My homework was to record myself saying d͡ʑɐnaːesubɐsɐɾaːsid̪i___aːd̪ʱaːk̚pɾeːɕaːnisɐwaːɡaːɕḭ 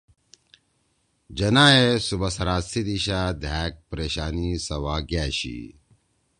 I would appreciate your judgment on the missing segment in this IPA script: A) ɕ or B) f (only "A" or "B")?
A